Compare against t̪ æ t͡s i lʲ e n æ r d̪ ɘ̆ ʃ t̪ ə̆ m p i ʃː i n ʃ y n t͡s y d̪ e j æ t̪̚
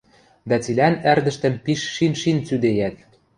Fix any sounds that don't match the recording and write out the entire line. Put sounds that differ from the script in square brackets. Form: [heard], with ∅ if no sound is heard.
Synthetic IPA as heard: [d̪] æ t͡s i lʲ [æ] n æ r d̪ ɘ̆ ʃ t̪ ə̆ m p i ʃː i n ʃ [i] n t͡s y d̪ e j æ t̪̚